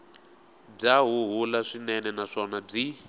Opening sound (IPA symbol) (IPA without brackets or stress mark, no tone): b͡ʐ